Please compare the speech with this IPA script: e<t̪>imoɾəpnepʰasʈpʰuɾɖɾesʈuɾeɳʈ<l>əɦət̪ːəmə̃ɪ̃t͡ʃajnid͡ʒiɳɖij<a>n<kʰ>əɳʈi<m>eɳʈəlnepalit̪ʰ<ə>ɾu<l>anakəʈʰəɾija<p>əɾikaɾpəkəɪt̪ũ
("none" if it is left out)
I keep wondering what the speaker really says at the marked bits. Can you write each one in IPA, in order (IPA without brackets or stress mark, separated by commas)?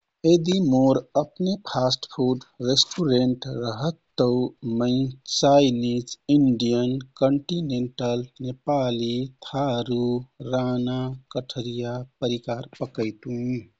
d̪, ɾ, ə, k, n, a, ɾ, p